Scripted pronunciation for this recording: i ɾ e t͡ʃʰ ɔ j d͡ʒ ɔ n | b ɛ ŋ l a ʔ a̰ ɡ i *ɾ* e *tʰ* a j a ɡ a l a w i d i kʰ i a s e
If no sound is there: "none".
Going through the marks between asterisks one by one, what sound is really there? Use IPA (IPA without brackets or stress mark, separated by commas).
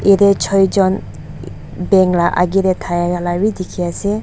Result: ɾ, tʰ